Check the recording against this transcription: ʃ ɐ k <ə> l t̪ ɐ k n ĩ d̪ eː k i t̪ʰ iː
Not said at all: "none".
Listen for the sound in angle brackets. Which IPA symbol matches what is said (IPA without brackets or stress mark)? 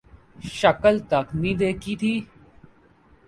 ə